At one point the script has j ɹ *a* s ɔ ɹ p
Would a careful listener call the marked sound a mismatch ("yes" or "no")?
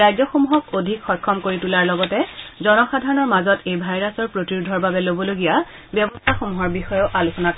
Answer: no